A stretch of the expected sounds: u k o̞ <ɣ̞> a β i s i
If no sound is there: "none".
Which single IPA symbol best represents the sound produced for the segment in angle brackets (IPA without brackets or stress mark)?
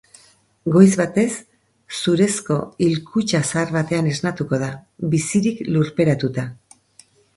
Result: ð̞